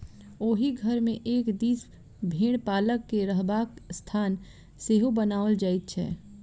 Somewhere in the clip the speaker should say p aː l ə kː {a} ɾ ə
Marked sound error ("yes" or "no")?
yes